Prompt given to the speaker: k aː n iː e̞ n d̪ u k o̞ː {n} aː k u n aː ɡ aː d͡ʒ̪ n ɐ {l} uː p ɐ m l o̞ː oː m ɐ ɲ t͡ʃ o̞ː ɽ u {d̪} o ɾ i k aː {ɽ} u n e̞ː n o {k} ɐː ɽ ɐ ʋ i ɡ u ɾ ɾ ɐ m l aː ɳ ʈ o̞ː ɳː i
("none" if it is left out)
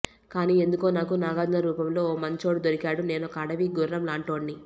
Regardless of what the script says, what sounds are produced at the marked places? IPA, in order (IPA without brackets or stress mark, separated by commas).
n, ɾ, d̪, ɽ, k